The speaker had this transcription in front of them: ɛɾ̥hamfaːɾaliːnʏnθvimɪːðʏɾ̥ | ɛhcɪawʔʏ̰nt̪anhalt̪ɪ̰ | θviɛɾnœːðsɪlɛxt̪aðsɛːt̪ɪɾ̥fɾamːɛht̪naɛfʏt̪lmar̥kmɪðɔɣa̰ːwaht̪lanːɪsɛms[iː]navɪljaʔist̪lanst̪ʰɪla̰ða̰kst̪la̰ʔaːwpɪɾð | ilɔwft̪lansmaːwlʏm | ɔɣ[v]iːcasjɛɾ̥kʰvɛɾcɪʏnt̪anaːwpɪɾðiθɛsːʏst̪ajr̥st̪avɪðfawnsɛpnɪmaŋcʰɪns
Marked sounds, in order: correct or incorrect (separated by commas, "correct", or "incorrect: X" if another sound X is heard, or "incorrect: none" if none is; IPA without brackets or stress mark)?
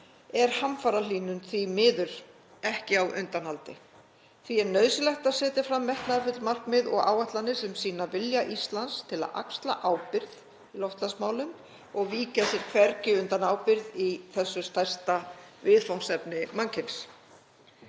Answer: correct, correct